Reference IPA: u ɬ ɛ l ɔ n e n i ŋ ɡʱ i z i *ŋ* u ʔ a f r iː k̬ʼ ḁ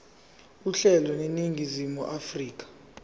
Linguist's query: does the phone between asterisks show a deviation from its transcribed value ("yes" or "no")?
yes